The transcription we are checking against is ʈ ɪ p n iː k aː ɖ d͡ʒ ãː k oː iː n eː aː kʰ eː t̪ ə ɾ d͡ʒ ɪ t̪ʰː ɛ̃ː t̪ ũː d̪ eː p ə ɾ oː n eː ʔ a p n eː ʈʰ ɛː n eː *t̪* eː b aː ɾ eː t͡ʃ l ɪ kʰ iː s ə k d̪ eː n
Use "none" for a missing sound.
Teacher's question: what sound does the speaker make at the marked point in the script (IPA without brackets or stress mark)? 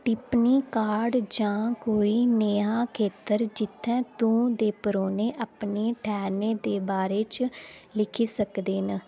d̪